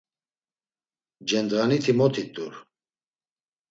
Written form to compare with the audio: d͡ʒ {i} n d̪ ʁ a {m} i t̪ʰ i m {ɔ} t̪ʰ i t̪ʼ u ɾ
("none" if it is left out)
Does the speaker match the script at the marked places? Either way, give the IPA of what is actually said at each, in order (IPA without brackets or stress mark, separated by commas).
ɛ, n, ɔ